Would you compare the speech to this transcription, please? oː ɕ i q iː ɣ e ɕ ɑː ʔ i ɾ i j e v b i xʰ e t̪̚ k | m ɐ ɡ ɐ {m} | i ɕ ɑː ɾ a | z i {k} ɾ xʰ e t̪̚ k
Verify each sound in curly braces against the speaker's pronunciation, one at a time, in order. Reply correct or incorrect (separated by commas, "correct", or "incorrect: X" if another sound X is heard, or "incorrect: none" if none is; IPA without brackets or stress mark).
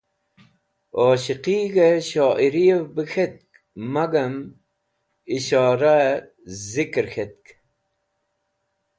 correct, correct